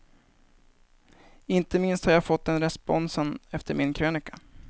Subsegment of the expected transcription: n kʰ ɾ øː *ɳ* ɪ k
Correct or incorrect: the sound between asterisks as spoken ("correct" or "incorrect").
incorrect